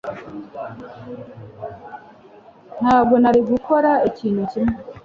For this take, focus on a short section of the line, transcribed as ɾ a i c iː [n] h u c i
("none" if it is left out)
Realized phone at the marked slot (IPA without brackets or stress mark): n